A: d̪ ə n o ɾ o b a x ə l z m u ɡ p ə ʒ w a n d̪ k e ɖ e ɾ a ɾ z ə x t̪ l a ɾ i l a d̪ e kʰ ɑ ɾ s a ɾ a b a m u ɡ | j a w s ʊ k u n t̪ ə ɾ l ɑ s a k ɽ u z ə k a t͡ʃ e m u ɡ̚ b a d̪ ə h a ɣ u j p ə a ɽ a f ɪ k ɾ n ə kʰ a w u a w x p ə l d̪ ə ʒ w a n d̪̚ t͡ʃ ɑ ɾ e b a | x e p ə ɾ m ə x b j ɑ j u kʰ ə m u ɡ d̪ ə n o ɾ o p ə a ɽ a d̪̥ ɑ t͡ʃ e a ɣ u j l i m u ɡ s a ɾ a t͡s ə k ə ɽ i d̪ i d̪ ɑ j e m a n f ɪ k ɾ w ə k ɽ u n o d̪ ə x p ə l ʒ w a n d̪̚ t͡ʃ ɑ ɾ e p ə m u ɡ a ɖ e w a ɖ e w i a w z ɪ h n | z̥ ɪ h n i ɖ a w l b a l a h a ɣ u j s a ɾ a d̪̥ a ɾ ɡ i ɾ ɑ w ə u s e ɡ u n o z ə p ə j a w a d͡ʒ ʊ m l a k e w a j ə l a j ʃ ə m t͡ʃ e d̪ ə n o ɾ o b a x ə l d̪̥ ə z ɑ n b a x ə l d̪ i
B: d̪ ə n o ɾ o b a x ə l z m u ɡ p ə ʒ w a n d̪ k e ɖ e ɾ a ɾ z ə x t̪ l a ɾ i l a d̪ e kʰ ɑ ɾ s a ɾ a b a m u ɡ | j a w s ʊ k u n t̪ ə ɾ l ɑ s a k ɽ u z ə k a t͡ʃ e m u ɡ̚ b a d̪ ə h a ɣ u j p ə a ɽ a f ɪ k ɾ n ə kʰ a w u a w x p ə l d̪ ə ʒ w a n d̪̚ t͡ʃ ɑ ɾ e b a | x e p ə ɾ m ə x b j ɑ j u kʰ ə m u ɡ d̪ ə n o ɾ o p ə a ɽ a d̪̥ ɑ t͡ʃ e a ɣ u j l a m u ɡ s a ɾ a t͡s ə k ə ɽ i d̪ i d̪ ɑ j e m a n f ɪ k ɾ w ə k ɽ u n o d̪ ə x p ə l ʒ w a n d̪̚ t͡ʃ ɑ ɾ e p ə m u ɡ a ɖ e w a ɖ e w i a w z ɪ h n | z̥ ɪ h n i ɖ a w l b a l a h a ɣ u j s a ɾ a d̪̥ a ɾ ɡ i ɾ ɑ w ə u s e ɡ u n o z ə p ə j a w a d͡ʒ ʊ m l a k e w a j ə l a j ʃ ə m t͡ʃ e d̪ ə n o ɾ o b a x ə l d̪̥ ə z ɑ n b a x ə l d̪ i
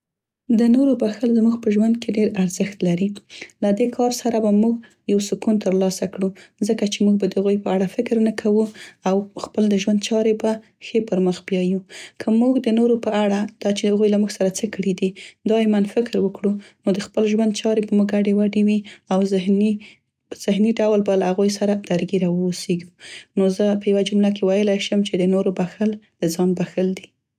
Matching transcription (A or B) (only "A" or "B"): B